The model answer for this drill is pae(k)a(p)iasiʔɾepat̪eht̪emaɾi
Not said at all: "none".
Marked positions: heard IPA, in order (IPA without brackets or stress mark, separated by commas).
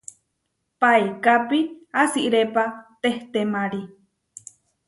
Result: k, p